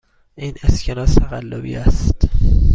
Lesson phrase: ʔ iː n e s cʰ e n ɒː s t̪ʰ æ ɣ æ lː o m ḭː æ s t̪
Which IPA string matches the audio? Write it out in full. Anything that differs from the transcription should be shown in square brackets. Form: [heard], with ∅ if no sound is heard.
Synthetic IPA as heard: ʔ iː n e s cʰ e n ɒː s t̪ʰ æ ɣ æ lː o [b] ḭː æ s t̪